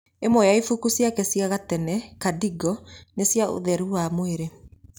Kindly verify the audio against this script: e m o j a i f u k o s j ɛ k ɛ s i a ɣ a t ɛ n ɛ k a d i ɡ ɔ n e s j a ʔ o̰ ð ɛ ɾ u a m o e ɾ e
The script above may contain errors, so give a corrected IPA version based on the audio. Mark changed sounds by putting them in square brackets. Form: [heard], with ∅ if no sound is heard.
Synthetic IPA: e m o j a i f u k [u] s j [a] k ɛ s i a ɣ a t ɛ n ɛ k a d i ɡ ɔ n e s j a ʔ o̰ ð ɛ ɾ u a m o e ɾ e

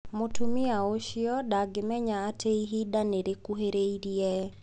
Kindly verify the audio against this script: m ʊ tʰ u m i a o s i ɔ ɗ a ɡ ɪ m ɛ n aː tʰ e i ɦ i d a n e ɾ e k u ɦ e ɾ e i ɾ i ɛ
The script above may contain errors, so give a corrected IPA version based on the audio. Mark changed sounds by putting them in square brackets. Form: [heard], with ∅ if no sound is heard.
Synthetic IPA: m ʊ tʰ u m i a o [ʃ] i ɔ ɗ a ɡ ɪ m ɛ [ɲ] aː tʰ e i ɦ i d a n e ɾ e k u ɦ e ɾ e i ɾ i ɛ

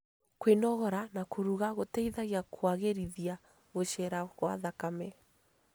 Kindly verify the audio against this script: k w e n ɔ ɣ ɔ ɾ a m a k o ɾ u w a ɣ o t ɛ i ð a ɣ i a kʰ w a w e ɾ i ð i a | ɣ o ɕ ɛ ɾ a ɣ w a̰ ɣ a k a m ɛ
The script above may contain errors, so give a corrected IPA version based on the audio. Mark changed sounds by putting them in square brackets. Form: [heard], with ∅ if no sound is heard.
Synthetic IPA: k w e n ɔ ɣ ɔ ɾ a [n] a k o ɾ u [ɣ] a ɣ o t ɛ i ð a ɣ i a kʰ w a [ɣ] e ɾ i ð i a | ɣ o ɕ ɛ ɾ a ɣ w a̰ [ð] a k a m ɛ

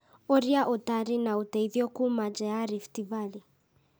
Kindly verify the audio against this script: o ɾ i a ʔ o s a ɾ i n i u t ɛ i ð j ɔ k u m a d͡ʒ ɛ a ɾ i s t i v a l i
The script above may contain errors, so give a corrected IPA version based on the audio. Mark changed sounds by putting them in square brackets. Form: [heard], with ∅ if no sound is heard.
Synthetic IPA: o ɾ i a ʔ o [t] a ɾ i n [a] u t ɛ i ð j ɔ k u m a d͡ʒ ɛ a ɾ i [f] t i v a l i

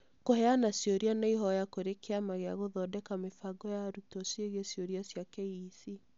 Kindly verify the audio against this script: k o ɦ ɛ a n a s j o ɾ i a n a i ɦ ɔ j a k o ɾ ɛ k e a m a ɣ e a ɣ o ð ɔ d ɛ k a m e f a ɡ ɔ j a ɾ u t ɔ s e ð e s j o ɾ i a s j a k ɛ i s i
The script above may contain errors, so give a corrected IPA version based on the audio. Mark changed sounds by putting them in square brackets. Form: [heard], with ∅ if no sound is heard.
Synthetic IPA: k o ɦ ɛ a n a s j o ɾ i a n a i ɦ ɔ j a k o ɾ [e] k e a m a ɣ e a ɣ o ð ɔ d ɛ k a m e f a ɡ ɔ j a ɾ u t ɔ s e [ɣ] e s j o ɾ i a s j a k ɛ i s i

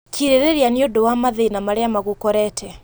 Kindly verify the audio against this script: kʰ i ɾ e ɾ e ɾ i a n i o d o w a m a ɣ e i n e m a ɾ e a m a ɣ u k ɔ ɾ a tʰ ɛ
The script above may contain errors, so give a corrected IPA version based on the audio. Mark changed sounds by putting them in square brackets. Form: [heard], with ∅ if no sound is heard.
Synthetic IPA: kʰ i ɾ e ɾ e ɾ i a n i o d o w a m a [ð] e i n [a] m a ɾ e a m a ɣ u k ɔ ɾ [ɛ] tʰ ɛ

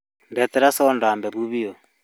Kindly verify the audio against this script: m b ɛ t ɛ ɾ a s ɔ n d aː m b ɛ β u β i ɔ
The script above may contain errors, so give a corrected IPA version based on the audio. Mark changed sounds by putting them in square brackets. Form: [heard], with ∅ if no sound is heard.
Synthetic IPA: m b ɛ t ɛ ɾ a s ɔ n d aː m b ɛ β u β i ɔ

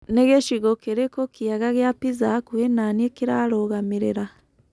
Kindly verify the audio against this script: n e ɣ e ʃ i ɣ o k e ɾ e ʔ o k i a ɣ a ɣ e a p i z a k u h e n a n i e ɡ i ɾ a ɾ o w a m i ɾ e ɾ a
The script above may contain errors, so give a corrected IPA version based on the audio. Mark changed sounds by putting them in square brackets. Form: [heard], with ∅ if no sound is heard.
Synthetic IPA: n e ɣ e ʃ i ɣ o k e ɾ e [k] o k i a ɣ a ɣ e a p i z a k u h e n a n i e [k] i ɾ a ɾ o [ɣ] a m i ɾ e ɾ a

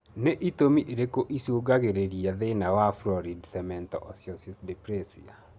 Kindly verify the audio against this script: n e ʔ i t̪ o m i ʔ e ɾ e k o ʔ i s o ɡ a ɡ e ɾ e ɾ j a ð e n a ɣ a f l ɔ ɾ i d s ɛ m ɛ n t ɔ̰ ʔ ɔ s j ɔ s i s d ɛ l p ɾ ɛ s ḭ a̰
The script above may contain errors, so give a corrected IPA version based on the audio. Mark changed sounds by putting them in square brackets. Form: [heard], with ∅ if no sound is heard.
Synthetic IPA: n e ʔ i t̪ o m i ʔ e ɾ e k o ʔ i s o ɡ a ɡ e ɾ e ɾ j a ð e n a [w] a f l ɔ ɾ i d s ɛ m ɛ n t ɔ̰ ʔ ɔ s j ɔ s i s d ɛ [∅] p ɾ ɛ s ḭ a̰

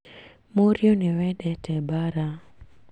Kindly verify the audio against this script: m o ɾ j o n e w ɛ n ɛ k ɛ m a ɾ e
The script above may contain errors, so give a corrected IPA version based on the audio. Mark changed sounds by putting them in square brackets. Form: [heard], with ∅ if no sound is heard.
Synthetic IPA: m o ɾ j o n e w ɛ [d] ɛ [t] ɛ [b] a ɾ [a]

